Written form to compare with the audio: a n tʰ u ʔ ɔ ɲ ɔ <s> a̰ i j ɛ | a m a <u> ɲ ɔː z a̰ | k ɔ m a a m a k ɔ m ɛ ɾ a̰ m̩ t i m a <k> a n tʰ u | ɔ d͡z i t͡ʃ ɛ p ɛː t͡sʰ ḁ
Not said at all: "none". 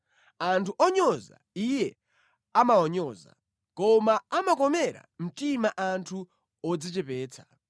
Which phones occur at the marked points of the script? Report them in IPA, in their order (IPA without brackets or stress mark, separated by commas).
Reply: z, ɔ, ʔ